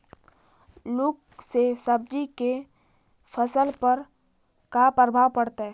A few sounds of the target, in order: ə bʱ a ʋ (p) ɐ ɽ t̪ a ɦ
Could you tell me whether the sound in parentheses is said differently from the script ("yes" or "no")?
no